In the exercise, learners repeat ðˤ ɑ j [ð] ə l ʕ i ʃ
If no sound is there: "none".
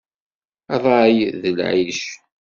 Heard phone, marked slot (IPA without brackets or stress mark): ð